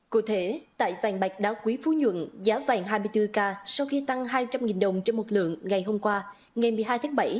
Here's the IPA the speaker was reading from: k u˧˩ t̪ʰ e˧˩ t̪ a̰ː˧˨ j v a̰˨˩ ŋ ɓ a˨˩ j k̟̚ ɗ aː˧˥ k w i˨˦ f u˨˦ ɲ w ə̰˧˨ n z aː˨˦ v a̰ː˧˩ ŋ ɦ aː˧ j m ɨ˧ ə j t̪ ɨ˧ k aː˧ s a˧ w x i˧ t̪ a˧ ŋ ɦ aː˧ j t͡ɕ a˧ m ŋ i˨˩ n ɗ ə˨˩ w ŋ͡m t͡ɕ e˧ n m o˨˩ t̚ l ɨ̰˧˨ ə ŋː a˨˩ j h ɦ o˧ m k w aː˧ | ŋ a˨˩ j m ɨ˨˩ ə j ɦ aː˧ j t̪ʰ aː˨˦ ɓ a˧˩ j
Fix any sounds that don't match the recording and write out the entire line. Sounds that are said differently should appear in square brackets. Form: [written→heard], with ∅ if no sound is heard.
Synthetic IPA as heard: k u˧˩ t̪ʰ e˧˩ t̪ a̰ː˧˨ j v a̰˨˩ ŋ ɓ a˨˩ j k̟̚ ɗ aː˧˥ k w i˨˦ f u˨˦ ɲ w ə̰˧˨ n z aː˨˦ v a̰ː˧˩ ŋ ɦ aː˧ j m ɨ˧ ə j t̪ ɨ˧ k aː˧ s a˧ w x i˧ t̪ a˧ ŋ ɦ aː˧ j t͡ɕ a˧ m ŋ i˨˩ n ɗ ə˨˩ w ŋ͡m t͡ɕ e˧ n m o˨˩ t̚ l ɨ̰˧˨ ə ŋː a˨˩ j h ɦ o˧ m k w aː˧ | ŋ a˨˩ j m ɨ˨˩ ə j ɦ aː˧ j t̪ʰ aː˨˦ ɓ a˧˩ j